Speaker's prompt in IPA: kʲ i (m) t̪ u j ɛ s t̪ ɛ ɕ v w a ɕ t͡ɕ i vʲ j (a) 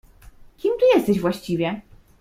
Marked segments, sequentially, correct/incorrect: correct, incorrect: ɛ

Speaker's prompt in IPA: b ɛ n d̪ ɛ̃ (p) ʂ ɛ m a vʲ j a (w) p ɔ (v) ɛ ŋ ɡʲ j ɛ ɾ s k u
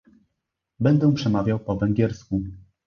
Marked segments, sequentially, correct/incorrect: correct, correct, correct

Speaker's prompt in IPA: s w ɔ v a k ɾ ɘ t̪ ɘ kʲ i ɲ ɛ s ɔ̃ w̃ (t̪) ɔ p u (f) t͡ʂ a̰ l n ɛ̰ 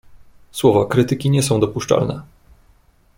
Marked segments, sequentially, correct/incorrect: incorrect: d̪, incorrect: ʂ

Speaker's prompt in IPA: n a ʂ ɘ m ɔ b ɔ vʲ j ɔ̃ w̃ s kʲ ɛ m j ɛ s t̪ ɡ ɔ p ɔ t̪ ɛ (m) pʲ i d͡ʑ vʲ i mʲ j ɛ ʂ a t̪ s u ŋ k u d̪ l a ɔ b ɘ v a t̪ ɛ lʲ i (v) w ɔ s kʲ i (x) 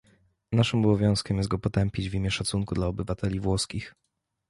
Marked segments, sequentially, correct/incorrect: correct, correct, correct

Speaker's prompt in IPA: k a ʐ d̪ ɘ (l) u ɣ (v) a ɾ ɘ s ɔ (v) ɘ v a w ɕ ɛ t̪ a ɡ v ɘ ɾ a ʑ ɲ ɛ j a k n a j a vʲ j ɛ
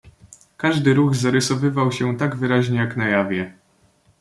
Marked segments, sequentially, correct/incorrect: incorrect: ɾ, incorrect: z, correct

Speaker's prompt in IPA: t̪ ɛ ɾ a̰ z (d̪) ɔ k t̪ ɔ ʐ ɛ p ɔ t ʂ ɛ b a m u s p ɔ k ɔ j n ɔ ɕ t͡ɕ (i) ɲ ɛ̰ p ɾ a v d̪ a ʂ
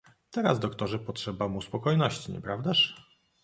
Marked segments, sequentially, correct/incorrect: correct, correct

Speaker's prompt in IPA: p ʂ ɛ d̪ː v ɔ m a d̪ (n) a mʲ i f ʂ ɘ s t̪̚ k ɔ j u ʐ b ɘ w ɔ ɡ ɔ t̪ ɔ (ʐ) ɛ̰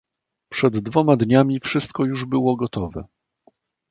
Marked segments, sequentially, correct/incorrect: incorrect: ɲ, incorrect: v

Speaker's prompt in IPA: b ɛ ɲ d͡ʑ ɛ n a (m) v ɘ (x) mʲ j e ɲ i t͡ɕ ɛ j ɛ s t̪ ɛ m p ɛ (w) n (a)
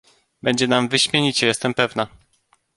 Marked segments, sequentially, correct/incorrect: correct, incorrect: ɕ, incorrect: v, correct

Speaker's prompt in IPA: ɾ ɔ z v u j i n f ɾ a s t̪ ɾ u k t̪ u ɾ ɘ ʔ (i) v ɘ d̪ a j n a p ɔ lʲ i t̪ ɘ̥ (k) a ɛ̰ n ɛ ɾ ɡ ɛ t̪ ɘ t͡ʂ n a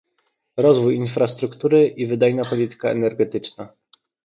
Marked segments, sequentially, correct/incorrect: correct, correct

